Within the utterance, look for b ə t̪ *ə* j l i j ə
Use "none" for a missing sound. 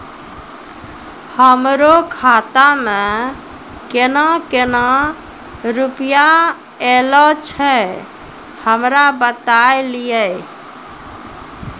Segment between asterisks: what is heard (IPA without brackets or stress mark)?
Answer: a